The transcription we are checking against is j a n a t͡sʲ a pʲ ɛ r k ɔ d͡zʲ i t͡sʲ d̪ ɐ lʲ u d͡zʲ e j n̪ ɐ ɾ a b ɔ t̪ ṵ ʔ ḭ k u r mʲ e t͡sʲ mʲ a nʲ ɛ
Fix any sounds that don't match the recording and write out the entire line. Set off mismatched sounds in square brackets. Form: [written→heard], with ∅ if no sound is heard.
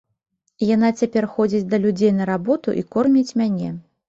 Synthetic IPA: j a n a t͡sʲ a pʲ ɛ r [k→x] ɔ d͡zʲ i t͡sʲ d̪ ɐ lʲ u d͡zʲ e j n̪ ɐ ɾ a b ɔ t̪ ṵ ʔ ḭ k [u→ɔ] r mʲ [e→i] t͡sʲ mʲ a nʲ ɛ